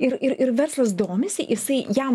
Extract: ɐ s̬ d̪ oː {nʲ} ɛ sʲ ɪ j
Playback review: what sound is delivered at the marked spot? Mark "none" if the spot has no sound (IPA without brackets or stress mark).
mʲ